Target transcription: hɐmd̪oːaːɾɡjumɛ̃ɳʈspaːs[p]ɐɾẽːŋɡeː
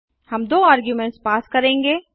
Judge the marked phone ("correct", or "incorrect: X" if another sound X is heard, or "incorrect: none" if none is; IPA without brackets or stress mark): incorrect: k